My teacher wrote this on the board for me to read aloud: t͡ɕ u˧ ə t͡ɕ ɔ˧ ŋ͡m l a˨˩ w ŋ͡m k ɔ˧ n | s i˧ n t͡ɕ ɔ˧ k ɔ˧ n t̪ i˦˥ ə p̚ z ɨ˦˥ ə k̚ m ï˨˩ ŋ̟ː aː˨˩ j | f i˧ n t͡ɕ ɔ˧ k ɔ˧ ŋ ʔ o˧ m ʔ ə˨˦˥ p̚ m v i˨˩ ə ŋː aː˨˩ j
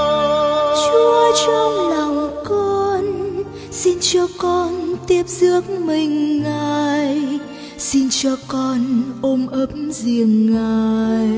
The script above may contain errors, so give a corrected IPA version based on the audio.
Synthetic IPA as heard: t͡ɕ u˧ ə t͡ɕ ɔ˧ ŋ͡m l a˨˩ w ŋ͡m k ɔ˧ n | s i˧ n t͡ɕ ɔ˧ k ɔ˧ n t̪ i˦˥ ə p̚ z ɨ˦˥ ə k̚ m ï˨˩ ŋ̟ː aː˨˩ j | s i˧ n t͡ɕ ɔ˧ k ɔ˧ n ʔ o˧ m ʔ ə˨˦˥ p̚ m z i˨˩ ə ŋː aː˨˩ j